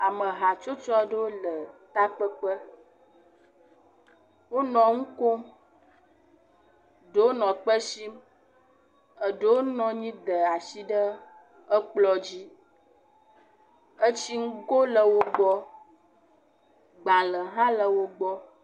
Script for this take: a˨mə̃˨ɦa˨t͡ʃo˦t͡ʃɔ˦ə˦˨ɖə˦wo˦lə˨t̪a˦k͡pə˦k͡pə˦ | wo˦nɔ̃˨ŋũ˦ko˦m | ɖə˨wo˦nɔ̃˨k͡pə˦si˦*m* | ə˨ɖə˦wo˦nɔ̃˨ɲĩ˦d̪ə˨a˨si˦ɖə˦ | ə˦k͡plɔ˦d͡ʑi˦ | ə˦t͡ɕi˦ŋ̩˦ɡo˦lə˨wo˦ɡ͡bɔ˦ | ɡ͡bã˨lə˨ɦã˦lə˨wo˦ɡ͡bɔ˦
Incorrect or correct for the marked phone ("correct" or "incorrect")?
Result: correct